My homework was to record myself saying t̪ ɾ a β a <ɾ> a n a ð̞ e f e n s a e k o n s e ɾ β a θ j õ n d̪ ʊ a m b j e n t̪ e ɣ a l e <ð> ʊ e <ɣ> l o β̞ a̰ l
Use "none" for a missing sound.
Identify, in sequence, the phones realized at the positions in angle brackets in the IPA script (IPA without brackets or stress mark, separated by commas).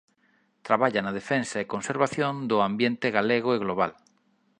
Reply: ʎ, ɣ, ɣ